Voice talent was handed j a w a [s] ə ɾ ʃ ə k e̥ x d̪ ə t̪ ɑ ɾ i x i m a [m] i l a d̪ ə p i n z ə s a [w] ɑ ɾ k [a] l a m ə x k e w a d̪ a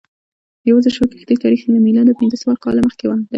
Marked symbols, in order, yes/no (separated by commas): no, yes, yes, no